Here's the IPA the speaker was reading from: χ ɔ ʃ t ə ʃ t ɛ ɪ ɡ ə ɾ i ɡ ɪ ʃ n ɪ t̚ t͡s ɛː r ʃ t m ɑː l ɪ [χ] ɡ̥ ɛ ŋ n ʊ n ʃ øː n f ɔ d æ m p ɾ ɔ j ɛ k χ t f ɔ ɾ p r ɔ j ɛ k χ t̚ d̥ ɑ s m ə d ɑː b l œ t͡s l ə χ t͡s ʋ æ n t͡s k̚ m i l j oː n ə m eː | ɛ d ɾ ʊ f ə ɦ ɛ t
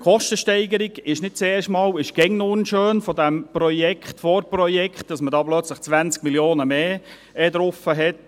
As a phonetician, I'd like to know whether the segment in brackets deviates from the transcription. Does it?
yes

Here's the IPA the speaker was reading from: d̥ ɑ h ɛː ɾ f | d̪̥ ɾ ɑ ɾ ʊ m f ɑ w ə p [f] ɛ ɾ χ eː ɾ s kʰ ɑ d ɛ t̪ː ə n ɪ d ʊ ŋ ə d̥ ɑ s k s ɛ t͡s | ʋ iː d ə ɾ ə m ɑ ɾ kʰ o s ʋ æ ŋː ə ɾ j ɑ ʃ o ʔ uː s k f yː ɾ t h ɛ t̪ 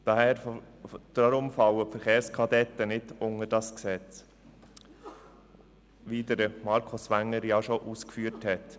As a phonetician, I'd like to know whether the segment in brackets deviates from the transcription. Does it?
no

